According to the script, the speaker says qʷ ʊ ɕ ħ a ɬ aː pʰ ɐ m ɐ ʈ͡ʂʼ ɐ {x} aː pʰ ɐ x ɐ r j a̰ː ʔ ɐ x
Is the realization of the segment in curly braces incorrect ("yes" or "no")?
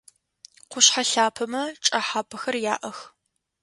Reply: yes